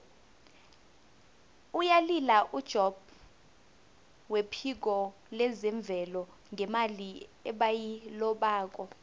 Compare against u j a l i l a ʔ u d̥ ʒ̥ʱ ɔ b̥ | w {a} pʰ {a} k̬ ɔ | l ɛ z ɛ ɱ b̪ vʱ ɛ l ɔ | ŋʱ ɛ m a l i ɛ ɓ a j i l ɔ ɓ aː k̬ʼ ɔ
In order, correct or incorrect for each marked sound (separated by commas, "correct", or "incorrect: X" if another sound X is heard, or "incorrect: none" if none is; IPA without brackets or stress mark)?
incorrect: e, incorrect: i